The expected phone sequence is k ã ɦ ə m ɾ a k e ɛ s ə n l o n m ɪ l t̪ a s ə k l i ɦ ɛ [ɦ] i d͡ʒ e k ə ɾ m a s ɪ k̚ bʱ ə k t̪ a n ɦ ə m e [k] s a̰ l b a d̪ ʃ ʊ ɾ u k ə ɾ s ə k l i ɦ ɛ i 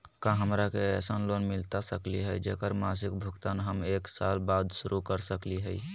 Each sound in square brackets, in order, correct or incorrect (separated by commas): incorrect, correct